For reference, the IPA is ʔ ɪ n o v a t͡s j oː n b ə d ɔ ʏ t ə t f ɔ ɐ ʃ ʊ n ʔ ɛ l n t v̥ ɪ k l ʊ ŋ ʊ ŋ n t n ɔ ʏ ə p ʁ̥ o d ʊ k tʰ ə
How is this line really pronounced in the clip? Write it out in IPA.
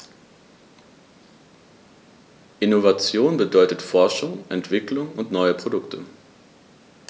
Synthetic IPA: ʔ ɪ n o v a t͡s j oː n b ə d ɔ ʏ t ə t f ɔ ɐ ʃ ʊ ŋ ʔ ɛ n t v̥ ɪ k l ʊ ŋ ʊ n t n ɔ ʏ ə p ʁ̥ o d ʊ k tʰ ə